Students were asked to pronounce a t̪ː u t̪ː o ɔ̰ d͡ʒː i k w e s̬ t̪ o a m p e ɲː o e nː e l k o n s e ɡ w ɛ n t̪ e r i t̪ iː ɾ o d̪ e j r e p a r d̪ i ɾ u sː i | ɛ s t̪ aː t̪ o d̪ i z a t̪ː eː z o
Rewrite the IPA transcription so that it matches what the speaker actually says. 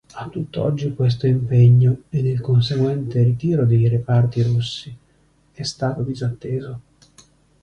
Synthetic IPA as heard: a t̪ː u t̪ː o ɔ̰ d͡ʒː i k w e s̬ t̪ o i m p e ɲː o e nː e l k o n s e ɡ w ɛ n t̪ e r i t̪ iː ɾ o d̪ e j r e p a r t̪ i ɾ u sː i | ɛ s t̪ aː t̪ o d̪ i z a t̪ː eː z o